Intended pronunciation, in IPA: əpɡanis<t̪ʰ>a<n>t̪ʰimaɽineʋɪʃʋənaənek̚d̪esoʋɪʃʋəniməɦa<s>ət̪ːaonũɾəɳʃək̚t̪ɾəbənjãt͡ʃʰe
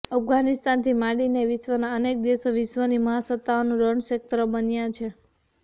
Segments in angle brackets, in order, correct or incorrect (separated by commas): incorrect, correct, correct